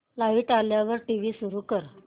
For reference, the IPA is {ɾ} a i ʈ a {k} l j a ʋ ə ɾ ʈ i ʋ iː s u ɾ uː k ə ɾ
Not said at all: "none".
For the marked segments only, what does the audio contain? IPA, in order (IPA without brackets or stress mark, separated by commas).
l, none